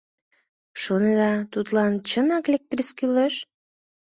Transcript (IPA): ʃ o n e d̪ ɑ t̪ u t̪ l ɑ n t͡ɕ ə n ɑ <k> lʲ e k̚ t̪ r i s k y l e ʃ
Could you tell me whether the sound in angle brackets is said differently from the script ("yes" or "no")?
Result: no